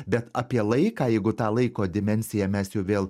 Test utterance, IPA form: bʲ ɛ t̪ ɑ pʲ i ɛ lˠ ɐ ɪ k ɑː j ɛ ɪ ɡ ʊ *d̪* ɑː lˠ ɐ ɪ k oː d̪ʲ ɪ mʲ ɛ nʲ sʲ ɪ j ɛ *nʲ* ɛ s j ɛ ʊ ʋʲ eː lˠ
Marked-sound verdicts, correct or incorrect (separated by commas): incorrect, incorrect